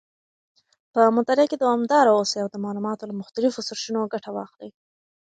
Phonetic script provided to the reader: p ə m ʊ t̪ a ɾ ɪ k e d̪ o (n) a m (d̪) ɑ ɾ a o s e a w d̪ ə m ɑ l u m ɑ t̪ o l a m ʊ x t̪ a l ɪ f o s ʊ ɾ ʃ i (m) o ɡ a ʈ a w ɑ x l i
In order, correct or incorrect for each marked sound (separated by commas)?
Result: incorrect, correct, incorrect